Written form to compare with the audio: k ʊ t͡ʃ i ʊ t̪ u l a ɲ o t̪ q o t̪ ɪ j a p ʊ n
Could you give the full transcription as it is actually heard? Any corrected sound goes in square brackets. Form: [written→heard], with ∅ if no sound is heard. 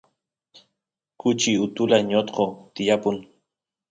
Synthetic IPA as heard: k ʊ t͡ʃ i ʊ t̪ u l a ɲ o t̪ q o t̪ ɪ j a p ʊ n